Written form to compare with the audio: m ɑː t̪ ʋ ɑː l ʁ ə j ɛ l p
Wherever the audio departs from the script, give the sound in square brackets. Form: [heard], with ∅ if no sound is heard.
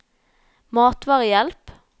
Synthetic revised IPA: m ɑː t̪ ʋ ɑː [∅] ʁ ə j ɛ l p